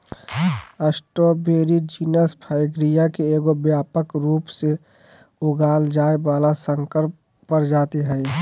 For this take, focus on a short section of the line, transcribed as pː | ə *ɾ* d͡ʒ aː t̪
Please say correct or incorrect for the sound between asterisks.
correct